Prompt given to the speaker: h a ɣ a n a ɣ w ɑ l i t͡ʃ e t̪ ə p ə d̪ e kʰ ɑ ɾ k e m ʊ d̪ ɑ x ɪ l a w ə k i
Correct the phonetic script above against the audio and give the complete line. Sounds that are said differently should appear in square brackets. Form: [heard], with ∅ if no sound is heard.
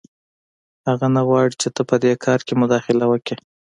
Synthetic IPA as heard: h a ɣ a n a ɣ w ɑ [ɽ] i t͡ʃ e t̪ ə p ə d̪ e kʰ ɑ ɾ k e m ʊ d̪ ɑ x ɪ l a w ə k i